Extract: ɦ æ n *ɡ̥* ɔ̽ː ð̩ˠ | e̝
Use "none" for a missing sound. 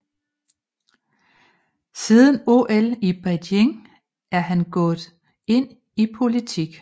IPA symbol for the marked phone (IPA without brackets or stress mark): ɡ̥